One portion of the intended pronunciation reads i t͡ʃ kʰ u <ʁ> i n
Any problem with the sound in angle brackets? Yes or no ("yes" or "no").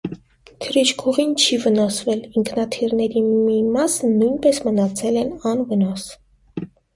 no